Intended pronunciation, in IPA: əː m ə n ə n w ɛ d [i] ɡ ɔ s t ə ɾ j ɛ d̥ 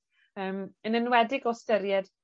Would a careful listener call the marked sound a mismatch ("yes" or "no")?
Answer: yes